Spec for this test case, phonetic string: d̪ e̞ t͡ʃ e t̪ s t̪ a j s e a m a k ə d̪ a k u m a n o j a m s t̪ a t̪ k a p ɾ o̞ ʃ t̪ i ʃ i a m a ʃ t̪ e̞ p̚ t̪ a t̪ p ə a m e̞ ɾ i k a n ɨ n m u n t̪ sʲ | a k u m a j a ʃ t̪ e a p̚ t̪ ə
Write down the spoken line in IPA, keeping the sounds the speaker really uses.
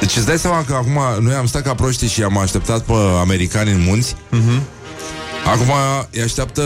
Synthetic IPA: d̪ e̞ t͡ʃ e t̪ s d̪ a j s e a m a k ə a k u m a n o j a m s t̪ a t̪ k a p ɾ o̞ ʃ t̪ i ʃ i a m a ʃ t̪ e̞ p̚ t̪ a t̪ p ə a m e̞ ɾ i k a n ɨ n m u n t̪ sʲ | a k u m a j a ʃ t̪ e a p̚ t̪ ə